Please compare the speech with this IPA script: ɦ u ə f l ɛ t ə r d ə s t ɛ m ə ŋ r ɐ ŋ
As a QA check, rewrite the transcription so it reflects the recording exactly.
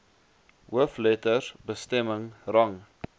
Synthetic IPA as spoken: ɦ u ə f l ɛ t ə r b ə s t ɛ m ə ŋ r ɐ ŋ